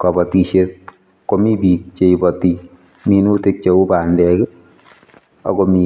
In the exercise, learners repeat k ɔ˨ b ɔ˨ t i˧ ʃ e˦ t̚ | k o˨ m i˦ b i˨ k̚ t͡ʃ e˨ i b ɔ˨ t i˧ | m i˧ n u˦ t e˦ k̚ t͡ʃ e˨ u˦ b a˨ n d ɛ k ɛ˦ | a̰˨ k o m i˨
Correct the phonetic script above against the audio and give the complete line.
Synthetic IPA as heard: k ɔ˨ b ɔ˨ t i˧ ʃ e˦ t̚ | k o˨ m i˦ b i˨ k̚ t͡ʃ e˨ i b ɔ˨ t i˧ | m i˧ n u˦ t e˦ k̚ t͡ʃ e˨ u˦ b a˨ n d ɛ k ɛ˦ | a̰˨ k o m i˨